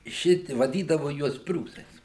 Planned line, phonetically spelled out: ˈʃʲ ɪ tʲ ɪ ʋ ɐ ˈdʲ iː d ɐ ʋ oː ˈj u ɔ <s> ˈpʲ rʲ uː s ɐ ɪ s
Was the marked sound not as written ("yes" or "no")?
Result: no